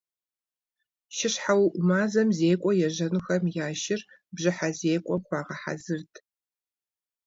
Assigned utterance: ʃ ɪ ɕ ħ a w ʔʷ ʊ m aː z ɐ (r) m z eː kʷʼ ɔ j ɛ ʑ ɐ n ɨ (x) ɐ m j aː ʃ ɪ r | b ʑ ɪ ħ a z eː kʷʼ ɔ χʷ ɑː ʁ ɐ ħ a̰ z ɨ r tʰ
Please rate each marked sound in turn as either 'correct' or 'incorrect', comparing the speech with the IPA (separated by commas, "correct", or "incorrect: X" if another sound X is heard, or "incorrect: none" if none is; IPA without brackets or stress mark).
incorrect: none, correct